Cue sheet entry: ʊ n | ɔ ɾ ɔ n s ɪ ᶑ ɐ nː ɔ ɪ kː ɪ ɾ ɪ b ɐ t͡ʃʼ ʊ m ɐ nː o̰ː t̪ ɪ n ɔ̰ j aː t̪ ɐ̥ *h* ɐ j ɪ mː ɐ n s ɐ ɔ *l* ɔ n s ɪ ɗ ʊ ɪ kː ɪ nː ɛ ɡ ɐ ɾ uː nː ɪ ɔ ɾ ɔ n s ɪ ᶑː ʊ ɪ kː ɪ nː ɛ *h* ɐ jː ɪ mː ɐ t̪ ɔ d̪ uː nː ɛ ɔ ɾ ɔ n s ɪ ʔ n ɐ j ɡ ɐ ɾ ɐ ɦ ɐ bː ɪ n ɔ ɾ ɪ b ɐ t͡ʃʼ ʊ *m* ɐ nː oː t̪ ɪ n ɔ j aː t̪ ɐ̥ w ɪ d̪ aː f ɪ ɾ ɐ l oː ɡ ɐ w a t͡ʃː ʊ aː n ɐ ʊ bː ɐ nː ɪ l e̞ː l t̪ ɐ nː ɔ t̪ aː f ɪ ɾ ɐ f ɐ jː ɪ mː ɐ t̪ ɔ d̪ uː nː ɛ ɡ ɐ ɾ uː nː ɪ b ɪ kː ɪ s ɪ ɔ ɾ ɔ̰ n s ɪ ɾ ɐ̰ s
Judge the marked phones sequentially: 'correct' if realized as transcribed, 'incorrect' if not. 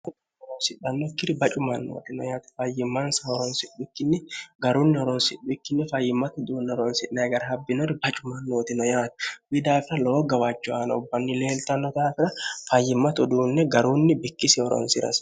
incorrect, incorrect, incorrect, correct

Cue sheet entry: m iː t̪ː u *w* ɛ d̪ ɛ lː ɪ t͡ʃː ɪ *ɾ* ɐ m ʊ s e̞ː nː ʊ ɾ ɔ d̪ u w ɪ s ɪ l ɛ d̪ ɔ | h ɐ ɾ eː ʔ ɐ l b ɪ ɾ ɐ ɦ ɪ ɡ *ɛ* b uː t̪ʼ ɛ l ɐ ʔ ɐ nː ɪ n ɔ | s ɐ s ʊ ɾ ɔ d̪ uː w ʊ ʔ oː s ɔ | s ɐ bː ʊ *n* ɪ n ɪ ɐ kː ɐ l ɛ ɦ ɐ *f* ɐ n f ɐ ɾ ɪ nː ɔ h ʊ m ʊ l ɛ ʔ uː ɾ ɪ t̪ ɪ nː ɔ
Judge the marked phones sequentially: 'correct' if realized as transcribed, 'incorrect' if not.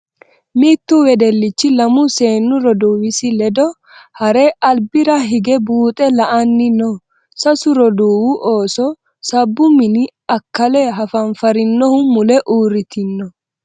correct, incorrect, correct, incorrect, correct

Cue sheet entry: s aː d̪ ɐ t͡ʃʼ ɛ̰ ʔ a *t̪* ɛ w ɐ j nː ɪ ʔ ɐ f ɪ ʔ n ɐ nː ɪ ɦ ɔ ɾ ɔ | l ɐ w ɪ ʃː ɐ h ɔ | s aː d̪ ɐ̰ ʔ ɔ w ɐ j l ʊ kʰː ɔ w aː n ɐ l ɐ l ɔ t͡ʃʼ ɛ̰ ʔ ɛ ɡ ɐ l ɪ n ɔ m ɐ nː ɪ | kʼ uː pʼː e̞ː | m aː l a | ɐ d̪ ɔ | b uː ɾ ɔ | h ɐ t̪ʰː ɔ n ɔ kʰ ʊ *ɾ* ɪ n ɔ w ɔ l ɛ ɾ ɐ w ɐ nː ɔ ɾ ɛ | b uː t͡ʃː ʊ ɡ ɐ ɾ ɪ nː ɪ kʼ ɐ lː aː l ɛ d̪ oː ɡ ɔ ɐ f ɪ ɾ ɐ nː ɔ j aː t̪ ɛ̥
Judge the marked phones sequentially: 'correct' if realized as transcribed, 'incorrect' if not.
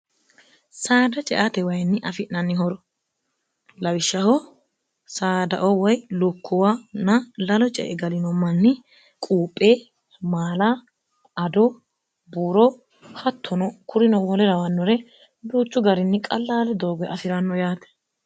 correct, correct

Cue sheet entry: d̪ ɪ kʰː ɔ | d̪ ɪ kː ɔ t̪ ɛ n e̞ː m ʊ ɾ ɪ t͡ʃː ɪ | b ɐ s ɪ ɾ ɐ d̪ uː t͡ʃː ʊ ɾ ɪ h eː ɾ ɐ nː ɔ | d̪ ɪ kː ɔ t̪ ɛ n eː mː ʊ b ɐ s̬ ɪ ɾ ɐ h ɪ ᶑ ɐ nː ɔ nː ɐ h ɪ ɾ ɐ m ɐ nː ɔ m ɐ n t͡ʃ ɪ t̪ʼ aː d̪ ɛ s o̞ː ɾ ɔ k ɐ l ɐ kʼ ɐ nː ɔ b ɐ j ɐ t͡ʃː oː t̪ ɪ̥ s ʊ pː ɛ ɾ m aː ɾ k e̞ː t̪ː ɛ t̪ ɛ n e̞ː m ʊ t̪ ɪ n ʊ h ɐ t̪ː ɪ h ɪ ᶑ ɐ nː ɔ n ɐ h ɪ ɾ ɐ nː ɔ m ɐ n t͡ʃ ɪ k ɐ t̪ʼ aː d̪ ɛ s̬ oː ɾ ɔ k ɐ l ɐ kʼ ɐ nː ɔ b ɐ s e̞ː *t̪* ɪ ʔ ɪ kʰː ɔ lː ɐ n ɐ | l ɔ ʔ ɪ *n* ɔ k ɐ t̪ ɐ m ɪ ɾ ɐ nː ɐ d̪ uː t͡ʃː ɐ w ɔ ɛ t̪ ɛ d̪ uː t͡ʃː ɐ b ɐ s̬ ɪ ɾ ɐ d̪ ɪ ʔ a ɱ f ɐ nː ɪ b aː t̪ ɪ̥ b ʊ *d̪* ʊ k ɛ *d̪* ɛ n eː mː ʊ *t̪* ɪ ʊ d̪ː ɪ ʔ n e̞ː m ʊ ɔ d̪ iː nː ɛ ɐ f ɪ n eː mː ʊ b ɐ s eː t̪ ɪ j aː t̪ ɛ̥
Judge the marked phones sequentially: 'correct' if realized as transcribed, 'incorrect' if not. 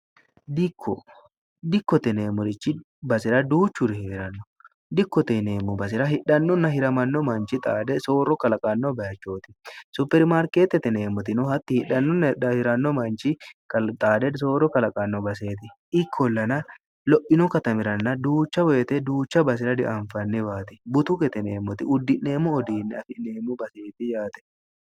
correct, correct, incorrect, incorrect, correct

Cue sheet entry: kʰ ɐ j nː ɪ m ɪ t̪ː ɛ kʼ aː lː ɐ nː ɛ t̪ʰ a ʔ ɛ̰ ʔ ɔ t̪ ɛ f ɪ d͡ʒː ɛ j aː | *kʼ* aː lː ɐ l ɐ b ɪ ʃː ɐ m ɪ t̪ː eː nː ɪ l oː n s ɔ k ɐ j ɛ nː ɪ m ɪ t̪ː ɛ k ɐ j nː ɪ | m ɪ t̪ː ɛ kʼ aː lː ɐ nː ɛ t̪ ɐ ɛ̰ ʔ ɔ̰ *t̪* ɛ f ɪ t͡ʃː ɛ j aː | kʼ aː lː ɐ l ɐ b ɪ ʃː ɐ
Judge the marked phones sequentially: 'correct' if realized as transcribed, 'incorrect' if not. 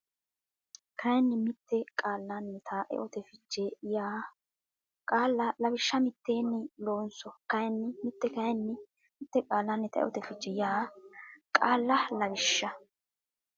correct, correct

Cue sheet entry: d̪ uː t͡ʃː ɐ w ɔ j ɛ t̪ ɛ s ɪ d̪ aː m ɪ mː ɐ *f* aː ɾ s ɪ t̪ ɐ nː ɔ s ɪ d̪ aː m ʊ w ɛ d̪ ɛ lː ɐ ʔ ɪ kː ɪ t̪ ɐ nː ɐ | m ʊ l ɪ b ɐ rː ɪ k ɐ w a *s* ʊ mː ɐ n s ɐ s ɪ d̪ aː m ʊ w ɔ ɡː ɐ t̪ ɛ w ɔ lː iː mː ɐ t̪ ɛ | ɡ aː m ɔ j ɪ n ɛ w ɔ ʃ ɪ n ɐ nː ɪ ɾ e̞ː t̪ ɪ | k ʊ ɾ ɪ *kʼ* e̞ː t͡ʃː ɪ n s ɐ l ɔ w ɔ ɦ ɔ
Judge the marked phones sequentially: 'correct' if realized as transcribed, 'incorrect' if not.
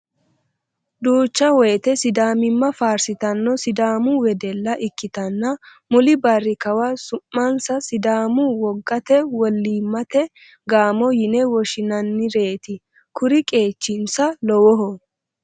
correct, correct, correct

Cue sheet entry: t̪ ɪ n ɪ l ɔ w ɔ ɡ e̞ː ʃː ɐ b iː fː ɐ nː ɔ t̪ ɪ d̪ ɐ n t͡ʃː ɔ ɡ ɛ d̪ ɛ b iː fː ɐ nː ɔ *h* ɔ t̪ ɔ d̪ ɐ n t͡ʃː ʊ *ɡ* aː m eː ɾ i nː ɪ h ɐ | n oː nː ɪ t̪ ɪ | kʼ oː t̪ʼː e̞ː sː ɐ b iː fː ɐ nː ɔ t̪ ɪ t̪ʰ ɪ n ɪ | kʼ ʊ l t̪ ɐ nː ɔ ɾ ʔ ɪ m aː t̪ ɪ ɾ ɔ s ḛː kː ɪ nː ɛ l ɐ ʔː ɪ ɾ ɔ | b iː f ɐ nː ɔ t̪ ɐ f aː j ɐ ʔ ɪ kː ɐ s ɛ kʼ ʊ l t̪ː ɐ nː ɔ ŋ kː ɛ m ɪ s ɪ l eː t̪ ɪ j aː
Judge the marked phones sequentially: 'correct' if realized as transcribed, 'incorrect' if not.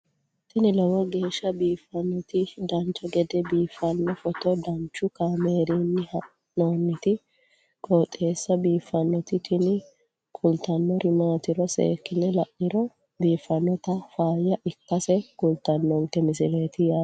incorrect, incorrect

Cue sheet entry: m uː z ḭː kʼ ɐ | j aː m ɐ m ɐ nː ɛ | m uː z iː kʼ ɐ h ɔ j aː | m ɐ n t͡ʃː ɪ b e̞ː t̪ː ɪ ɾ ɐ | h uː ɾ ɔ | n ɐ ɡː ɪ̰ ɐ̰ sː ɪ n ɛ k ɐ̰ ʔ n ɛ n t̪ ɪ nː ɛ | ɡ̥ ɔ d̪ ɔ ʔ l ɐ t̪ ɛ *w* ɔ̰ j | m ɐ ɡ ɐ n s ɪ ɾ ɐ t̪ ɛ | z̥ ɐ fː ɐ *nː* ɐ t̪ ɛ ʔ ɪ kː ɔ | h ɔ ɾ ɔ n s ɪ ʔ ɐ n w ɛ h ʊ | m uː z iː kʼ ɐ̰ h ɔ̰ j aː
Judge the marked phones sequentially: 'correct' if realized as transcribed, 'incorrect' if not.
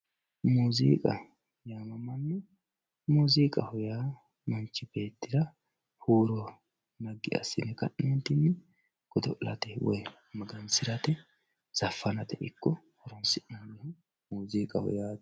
correct, incorrect

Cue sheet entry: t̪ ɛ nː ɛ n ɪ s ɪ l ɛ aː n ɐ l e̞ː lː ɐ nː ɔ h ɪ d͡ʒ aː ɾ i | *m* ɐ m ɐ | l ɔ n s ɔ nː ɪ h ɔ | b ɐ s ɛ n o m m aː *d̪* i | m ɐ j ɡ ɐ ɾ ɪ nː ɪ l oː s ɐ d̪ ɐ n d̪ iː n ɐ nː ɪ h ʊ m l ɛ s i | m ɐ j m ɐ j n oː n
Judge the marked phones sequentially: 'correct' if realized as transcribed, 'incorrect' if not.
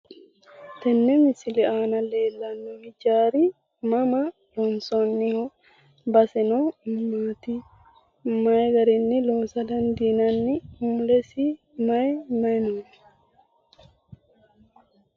correct, incorrect

